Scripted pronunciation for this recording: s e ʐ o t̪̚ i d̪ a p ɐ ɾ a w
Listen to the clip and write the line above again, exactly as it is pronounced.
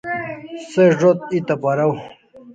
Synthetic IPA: s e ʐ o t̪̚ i t̪ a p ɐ ɾ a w